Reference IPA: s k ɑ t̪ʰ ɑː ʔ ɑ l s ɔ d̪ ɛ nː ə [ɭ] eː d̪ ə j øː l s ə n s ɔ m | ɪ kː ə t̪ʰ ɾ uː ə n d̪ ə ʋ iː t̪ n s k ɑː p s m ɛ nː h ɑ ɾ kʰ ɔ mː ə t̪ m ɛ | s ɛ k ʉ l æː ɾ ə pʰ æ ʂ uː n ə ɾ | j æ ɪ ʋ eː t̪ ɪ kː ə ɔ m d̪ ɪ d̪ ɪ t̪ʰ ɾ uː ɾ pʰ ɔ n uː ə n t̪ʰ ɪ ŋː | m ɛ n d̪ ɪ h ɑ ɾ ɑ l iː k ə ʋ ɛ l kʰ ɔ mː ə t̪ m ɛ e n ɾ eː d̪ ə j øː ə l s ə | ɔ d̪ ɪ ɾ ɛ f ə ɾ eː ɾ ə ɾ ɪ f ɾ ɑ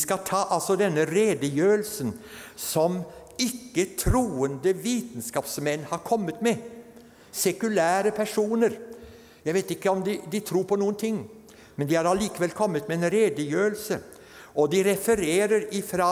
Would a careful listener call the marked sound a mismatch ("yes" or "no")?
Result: yes